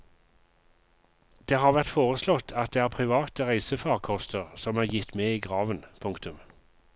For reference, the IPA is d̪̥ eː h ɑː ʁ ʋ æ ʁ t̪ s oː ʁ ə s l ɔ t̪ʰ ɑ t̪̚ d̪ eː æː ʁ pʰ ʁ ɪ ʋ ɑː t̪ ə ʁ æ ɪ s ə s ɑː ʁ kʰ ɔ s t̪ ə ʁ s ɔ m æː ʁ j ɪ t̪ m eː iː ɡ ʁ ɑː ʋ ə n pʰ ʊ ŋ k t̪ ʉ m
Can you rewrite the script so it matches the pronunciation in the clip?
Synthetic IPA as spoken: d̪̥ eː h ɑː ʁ ʋ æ ʁ t̪ f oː ʁ ə s l ɔ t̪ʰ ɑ t̪̚ d̪ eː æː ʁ pʰ ʁ ɪ ʋ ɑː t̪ ə ʁ æ ɪ s ə f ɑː ʁ kʰ ɔ s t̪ ə ʁ s ɔ m æː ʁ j ɪ t̪ m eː iː ɡ ʁ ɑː ʋ ə n pʰ ʊ ŋ k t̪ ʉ m